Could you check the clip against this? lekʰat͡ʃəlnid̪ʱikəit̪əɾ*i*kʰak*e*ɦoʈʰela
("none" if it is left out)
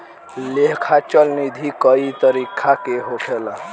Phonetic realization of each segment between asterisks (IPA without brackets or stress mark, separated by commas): i, e